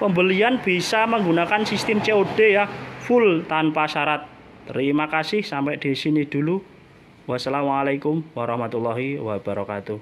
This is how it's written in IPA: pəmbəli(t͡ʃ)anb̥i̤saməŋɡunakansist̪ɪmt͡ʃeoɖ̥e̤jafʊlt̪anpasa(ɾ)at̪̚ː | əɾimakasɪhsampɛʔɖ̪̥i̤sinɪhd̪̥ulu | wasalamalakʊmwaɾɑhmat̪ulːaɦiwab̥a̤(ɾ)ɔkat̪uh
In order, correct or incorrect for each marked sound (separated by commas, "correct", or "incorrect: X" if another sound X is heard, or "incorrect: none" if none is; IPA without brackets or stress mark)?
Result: incorrect: none, correct, correct